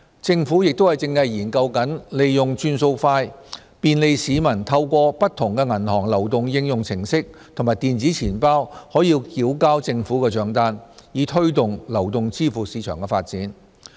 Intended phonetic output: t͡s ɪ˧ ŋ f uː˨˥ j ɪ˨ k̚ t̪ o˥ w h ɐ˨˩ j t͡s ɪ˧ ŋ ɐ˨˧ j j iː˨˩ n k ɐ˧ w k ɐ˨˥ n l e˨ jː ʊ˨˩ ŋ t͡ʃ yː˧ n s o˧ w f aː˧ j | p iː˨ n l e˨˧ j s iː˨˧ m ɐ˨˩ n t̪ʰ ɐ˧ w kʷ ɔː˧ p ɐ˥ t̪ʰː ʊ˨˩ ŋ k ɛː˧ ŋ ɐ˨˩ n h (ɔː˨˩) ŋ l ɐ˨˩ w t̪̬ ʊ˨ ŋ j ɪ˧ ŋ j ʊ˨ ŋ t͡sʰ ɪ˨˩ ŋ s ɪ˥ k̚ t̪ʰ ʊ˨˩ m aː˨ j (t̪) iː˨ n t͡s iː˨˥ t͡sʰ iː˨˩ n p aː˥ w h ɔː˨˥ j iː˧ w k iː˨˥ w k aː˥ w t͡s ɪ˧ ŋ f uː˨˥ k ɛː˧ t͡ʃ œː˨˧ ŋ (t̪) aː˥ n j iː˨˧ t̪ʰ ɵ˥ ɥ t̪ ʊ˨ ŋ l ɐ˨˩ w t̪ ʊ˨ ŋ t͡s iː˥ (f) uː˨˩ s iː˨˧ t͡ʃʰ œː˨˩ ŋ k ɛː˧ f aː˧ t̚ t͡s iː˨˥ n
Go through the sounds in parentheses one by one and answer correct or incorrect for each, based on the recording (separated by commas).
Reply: correct, correct, correct, correct